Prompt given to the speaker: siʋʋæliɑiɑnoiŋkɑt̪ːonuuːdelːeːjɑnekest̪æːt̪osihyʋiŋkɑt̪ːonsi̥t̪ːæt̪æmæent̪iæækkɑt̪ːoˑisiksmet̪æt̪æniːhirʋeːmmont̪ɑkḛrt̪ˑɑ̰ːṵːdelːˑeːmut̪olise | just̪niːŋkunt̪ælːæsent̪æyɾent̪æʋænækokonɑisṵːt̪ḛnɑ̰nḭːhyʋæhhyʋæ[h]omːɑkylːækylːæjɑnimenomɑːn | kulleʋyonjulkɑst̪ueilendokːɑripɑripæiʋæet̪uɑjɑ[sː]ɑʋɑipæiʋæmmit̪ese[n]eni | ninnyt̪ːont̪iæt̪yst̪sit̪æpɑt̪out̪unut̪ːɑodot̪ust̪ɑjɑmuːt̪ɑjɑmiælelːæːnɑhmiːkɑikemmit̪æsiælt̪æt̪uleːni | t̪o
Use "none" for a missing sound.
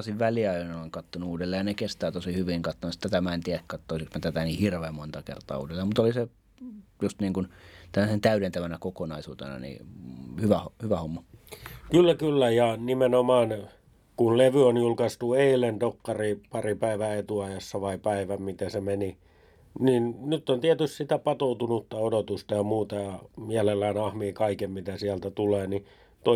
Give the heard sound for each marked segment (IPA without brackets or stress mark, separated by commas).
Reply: h, sː, m